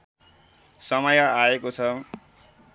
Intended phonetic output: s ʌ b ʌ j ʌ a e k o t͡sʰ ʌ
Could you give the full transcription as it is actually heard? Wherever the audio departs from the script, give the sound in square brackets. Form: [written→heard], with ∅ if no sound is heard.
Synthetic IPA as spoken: s ʌ [b→m] ʌ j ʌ a e k o t͡sʰ ʌ